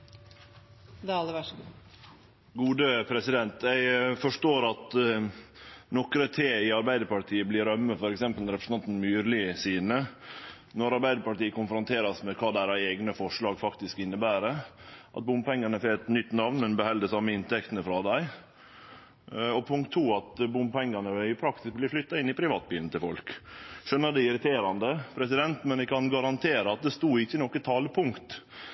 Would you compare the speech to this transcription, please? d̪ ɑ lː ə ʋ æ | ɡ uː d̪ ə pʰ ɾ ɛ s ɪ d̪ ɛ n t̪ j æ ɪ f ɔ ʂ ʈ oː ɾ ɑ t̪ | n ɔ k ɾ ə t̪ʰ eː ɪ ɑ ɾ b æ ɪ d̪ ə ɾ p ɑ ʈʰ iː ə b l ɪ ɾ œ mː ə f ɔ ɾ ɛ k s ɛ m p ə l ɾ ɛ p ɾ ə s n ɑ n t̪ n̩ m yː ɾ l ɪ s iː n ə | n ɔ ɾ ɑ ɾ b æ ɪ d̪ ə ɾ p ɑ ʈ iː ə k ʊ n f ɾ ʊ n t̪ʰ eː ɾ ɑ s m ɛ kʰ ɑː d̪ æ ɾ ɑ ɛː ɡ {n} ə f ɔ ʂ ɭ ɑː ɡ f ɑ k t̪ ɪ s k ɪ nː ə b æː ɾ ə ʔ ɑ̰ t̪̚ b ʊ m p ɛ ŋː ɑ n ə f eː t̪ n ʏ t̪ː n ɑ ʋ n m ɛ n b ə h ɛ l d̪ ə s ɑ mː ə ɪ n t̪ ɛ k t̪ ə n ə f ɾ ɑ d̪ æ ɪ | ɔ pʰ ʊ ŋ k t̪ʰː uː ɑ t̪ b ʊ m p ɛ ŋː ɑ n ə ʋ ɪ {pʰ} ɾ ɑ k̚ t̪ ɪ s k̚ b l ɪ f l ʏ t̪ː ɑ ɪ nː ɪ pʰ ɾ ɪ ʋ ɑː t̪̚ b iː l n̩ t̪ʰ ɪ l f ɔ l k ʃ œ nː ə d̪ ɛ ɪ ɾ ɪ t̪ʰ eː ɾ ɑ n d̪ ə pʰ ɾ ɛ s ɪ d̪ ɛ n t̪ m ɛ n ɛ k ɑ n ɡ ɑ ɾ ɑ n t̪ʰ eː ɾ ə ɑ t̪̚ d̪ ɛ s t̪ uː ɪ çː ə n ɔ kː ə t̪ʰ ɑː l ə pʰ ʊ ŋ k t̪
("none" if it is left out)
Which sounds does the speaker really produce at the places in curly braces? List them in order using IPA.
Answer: n, pʰ

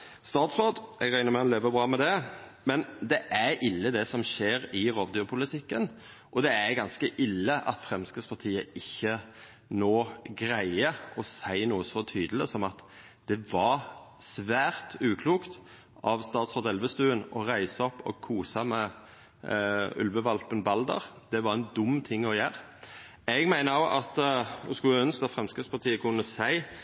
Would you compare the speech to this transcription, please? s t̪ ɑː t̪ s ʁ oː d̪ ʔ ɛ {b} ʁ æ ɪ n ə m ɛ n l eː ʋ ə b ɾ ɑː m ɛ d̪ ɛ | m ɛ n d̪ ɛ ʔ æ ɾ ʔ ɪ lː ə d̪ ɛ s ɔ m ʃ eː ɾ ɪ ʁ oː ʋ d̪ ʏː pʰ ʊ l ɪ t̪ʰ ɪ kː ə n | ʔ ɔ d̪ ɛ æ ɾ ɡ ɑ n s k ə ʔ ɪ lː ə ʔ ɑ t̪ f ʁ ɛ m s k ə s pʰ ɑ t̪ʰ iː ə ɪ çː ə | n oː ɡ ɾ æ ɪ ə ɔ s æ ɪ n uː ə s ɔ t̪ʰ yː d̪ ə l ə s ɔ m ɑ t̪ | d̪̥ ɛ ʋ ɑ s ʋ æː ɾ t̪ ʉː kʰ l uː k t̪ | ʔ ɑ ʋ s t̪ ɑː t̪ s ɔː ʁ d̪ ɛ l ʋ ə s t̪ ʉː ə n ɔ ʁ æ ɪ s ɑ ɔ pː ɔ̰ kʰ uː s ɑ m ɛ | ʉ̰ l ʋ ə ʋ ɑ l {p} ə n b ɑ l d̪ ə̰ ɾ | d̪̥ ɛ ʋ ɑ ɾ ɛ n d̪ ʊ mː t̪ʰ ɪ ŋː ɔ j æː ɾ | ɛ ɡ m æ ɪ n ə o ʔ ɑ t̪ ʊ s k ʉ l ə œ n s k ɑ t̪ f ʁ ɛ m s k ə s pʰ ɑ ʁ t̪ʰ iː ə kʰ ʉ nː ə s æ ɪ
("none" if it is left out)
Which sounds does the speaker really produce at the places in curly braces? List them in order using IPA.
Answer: ɡ, p

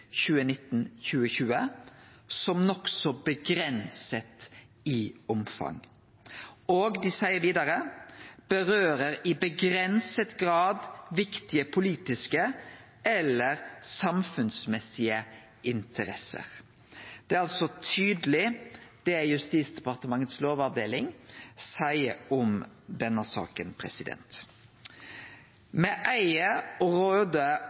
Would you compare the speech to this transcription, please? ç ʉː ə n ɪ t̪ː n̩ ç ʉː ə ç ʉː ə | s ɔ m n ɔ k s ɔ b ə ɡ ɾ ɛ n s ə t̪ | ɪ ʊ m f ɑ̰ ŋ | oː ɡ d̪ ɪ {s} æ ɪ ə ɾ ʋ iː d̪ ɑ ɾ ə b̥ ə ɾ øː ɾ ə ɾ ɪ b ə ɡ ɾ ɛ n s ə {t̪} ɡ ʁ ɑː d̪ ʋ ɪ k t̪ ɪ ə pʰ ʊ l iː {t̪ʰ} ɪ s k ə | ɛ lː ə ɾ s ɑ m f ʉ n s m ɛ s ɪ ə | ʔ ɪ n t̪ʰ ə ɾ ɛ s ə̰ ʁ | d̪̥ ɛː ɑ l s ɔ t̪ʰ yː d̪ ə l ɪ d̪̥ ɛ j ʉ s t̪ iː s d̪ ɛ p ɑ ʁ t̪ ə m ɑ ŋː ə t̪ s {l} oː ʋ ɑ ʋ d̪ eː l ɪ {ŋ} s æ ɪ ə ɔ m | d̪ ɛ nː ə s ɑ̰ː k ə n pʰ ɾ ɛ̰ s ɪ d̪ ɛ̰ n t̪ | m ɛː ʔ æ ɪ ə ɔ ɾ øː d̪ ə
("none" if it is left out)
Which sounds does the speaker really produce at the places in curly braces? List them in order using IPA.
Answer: s, t̪, t̪, l, ŋ

